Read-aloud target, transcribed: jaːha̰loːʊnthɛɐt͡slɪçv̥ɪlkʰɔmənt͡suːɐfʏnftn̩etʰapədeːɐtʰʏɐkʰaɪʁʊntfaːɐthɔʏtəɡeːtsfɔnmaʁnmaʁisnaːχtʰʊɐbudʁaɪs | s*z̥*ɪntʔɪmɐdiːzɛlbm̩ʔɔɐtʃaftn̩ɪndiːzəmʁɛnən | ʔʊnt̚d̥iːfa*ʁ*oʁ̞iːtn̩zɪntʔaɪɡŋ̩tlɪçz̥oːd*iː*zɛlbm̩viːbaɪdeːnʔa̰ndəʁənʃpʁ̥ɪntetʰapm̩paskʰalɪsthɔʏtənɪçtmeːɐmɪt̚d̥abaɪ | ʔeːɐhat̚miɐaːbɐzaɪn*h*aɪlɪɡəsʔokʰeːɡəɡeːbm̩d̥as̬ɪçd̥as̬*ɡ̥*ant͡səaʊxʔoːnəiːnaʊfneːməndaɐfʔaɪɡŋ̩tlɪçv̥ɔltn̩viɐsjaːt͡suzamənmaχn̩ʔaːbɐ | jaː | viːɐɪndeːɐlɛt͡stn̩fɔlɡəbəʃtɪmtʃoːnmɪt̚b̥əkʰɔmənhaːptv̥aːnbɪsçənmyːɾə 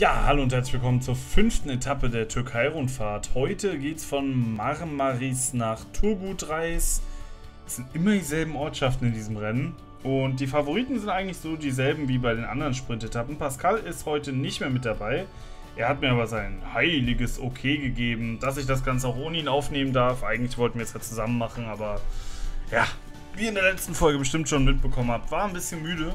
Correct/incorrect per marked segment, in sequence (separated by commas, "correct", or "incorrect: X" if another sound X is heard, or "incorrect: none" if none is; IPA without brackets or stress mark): correct, incorrect: v, correct, correct, correct